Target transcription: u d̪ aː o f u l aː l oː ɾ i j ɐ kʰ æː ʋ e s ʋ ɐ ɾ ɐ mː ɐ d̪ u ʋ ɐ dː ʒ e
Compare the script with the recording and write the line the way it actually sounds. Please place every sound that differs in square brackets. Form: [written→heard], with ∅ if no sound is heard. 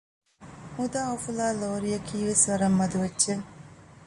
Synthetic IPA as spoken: u d̪ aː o f u l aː l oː ɾ i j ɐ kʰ [æː→iː] ʋ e s ʋ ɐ ɾ ɐ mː ɐ d̪ u ʋ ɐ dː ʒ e